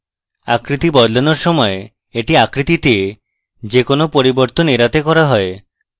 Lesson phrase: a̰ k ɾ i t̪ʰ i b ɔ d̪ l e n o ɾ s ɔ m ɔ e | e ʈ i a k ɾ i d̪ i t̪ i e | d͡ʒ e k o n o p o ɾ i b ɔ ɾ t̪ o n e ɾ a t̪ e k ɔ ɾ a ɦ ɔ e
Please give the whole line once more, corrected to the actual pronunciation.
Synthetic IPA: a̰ k ɾ i t̪ i b ɔ d̪ l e n o ɾ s ɔ m ɔ e | e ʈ i a k ɾ i t̪ i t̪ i e | d͡ʒ e k o n o p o ɾ i b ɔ ɾ t̪ o n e ɾ a t̪ e k ɔ ɾ a ɦ ɔ e